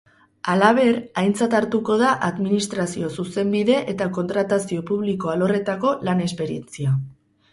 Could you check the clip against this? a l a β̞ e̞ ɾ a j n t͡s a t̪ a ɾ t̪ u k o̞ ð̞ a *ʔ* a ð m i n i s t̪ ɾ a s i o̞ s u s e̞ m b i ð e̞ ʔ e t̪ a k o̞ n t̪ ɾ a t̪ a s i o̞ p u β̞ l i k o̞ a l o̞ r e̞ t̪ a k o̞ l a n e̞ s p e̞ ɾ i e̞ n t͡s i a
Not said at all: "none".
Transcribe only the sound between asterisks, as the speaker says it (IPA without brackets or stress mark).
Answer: ʔ